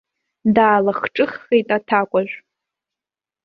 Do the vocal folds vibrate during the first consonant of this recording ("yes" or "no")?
yes